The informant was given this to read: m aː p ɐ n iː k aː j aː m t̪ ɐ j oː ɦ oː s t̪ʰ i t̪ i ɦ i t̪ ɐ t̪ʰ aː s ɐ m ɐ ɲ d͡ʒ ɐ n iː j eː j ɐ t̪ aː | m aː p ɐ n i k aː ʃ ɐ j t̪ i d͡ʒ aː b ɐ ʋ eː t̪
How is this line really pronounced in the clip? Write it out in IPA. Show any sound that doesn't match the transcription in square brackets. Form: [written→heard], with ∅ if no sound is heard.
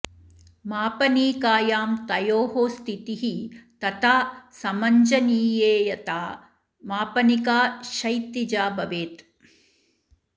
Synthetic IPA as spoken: m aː p ɐ n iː k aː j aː m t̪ ɐ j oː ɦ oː s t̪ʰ i t̪ i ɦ i t̪ ɐ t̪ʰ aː s ɐ m ɐ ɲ d͡ʒ ɐ n iː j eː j ɐ t̪ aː | m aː p ɐ n i k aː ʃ ɐ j t̪ i d͡ʒ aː b ɐ ʋ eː t̪

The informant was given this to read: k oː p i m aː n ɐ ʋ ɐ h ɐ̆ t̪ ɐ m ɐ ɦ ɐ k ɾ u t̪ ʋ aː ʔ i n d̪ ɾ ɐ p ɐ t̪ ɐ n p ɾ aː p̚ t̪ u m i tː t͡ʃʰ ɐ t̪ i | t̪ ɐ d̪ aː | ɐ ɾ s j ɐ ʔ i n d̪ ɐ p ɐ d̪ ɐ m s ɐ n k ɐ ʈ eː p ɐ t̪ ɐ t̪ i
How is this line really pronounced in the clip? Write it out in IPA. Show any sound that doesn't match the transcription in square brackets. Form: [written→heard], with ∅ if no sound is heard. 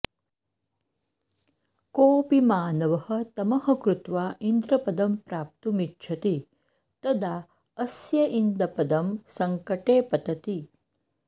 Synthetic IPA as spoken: k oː p i m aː n ɐ ʋ ɐ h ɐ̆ t̪ ɐ m ɐ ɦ ɐ k ɾ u t̪ ʋ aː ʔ i n d̪ ɾ ɐ p ɐ [t̪→d̪] ɐ [n→m] p ɾ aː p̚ t̪ u m i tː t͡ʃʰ ɐ t̪ i | t̪ ɐ d̪ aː | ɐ [ɾ→∅] s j ɐ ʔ i n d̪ ɐ p ɐ d̪ ɐ m s ɐ [n→ŋ] k ɐ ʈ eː p ɐ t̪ ɐ t̪ i

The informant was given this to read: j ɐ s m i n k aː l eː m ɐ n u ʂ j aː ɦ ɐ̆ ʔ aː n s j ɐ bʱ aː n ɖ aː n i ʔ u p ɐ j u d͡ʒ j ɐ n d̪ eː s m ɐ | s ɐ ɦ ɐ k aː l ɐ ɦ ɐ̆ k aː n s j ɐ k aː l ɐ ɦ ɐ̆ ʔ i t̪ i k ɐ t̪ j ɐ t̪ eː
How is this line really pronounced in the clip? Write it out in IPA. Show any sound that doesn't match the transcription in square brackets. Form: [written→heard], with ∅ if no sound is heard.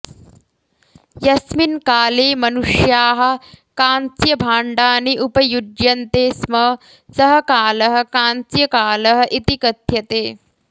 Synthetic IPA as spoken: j ɐ s m i n k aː l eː m ɐ n u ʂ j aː ɦ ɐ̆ [ʔ→k] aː n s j ɐ bʱ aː [n→ɳ] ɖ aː n i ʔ u p ɐ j u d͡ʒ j ɐ n [d̪→t̪] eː s m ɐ | s ɐ ɦ ɐ k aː l ɐ ɦ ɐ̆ k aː n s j ɐ k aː l ɐ ɦ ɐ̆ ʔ i t̪ i k ɐ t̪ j ɐ t̪ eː

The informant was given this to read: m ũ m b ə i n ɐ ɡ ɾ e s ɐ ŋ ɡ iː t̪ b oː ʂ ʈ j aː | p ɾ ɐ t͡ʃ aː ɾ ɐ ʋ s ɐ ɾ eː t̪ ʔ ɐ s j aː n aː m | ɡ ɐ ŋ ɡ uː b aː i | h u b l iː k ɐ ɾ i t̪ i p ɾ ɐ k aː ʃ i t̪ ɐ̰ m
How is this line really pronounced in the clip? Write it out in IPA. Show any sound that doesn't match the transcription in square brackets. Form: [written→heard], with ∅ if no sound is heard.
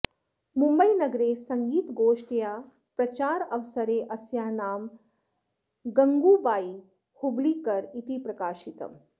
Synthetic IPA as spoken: m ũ m b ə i n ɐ ɡ ɾ e s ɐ ŋ ɡ iː t̪ [b→ɡ] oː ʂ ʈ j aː | p ɾ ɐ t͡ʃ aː ɾ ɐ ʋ s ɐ ɾ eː [t̪→∅] ʔ ɐ s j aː n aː m | ɡ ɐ ŋ ɡ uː b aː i | h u b l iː k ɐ ɾ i t̪ i p ɾ ɐ k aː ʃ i t̪ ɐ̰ m

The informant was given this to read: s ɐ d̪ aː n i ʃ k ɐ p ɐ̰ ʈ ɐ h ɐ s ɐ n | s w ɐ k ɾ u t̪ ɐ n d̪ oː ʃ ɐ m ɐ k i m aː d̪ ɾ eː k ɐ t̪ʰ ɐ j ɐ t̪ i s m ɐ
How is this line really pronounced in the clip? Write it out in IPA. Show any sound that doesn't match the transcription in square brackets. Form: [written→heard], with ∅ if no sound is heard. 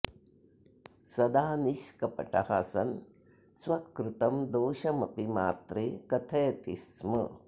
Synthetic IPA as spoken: s ɐ d̪ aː n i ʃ k ɐ p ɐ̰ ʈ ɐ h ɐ s ɐ n | s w ɐ k ɾ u t̪ ɐ [n→m] d̪ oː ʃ ɐ m ɐ [k→p] i m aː [d̪→t̪] ɾ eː k ɐ t̪ʰ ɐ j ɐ t̪ i s m ɐ

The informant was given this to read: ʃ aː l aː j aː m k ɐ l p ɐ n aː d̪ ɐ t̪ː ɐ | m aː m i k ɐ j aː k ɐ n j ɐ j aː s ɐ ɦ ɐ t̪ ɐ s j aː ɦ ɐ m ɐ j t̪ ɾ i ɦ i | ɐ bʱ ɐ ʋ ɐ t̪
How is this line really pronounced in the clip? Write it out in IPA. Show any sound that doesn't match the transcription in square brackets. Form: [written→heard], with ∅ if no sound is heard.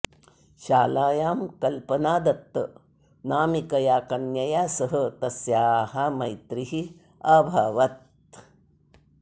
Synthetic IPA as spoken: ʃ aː l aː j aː m k ɐ l p ɐ n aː d̪ ɐ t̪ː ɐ | [m→n] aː m i k ɐ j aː k ɐ n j ɐ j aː s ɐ ɦ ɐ t̪ ɐ s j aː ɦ ɐ m ɐ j t̪ ɾ i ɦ i | ɐ bʱ ɐ ʋ ɐ t̪

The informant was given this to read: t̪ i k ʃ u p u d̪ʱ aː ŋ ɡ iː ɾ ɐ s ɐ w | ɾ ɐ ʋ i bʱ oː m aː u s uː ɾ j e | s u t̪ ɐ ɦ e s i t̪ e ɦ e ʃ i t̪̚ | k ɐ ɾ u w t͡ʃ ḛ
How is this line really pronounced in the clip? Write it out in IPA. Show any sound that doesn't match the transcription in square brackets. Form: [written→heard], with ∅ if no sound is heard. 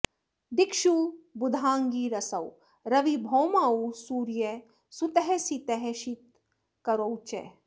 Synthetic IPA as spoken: [t̪→d̪] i k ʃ u [p→b] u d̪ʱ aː ŋ ɡ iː ɾ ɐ s ɐ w | ɾ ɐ ʋ i bʱ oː m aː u s uː ɾ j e | s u t̪ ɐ ɦ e s i t̪ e ɦ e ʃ i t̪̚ | k ɐ ɾ [u→o] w t͡ʃ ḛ

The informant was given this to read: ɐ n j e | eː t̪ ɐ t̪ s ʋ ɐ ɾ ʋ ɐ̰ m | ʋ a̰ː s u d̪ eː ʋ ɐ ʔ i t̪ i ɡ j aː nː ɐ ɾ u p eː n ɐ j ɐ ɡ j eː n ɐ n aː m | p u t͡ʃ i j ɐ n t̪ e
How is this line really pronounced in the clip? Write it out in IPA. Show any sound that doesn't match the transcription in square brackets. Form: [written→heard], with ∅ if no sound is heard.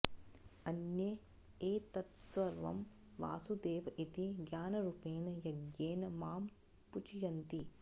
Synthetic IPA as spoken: ɐ n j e | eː t̪ ɐ t̪ s ʋ ɐ ɾ ʋ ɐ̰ m | ʋ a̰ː s u d̪ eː ʋ ɐ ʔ i t̪ i ɡ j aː [nː→n] ɐ ɾ u p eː n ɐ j ɐ ɡ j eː n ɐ [n→m] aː m | p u t͡ʃ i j ɐ n t̪ [e→i]

